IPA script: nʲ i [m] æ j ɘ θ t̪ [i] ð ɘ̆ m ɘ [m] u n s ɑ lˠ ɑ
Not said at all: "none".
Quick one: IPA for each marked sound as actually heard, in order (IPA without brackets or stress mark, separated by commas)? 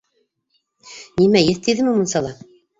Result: m, i, m